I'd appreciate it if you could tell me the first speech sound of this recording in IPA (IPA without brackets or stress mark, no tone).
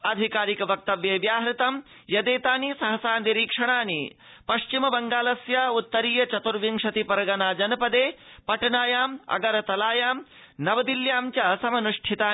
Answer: ɐ